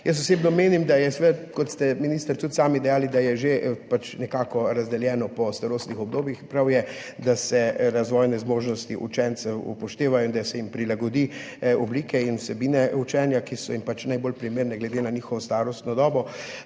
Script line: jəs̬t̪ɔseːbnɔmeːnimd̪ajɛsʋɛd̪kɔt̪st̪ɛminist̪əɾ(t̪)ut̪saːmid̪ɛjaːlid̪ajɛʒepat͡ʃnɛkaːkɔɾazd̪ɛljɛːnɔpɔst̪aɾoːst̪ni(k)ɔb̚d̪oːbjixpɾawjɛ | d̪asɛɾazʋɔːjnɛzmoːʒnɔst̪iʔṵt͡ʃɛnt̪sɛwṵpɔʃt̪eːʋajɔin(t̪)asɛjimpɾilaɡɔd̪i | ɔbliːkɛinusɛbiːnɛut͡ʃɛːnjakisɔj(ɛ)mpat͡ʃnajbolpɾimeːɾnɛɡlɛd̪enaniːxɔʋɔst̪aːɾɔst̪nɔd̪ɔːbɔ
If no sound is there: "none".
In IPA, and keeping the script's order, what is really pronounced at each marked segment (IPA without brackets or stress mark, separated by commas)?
t̪, x, d̪, i